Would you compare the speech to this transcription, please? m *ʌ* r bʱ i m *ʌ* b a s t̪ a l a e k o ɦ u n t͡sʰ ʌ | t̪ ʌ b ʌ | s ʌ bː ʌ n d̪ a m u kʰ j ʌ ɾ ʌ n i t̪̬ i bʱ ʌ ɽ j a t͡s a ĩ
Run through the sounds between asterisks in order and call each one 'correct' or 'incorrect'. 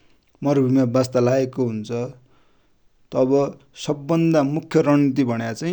correct, incorrect: a

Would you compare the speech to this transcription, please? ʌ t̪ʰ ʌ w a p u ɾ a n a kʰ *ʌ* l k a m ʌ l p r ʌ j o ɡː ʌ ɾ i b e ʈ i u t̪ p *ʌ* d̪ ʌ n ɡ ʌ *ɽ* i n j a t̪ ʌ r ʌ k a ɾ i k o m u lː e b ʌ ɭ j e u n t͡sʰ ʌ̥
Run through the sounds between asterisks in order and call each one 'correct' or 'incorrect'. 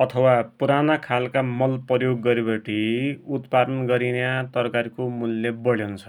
incorrect: a, incorrect: a, incorrect: ɾ

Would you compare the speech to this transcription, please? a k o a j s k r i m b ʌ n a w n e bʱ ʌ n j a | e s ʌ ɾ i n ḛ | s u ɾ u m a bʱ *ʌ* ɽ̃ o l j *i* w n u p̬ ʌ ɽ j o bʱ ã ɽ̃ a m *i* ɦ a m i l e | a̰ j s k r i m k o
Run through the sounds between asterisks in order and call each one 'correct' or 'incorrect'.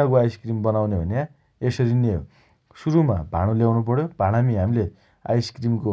incorrect: a, incorrect: a, correct

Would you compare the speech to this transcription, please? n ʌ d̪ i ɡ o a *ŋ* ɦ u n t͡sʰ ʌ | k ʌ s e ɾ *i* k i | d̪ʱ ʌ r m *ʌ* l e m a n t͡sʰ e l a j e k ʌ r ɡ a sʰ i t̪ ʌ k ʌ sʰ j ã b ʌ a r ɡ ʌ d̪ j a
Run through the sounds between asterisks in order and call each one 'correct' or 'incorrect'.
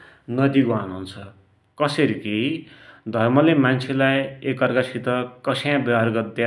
incorrect: n, correct, correct

